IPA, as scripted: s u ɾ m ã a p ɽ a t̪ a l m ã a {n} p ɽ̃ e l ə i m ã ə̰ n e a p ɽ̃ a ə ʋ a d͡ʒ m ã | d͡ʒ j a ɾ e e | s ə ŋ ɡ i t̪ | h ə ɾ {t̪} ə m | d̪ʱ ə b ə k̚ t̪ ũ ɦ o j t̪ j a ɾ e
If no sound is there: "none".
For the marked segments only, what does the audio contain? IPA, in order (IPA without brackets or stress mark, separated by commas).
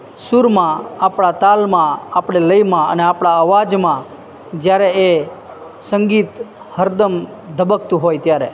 none, d̪